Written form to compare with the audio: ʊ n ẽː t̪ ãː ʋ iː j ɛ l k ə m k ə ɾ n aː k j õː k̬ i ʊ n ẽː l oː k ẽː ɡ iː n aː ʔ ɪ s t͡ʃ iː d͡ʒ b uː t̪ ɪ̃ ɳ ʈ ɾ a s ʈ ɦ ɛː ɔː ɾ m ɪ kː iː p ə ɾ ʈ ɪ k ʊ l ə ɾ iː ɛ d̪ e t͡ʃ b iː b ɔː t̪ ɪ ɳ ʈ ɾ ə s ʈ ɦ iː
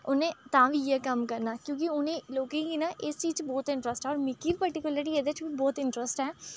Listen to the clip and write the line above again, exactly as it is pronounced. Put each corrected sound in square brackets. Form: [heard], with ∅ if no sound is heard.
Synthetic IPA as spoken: ʊ n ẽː t̪ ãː ʋ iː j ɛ [∅] k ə m k ə ɾ n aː k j õː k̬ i ʊ n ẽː l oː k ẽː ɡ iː n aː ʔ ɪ s t͡ʃ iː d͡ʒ b [ɔː] t̪ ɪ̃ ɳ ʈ ɾ [ə] s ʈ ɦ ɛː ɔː ɾ m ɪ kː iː p ə ɾ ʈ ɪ k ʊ l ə ɾ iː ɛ d̪ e t͡ʃ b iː b ɔː t̪ ɪ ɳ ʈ ɾ ə s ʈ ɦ [ɛː]